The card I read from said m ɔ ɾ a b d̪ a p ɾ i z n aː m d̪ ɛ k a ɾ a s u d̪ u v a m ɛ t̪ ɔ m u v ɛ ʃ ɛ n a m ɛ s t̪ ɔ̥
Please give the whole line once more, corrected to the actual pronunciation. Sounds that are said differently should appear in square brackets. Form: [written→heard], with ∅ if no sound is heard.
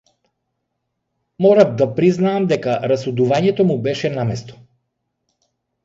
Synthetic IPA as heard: m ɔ ɾ a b d̪ a p ɾ i z n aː m d̪ ɛ k a ɾ a s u d̪ u v a [m→ɲ] ɛ t̪ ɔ m u [v→b] ɛ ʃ ɛ n a m ɛ s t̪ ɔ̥